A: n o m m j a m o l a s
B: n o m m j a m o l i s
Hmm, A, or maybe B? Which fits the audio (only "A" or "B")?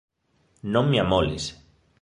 B